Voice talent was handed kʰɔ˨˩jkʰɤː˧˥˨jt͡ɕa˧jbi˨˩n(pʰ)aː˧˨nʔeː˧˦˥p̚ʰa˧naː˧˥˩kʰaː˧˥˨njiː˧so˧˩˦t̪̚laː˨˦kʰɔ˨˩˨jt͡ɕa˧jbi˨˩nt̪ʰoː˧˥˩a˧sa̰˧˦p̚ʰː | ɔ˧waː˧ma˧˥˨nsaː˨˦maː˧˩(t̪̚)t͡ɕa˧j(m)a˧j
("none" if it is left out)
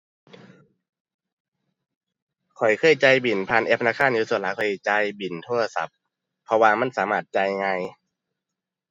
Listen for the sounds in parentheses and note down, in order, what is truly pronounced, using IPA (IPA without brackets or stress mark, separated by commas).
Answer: pʰ, t̪̚, ŋ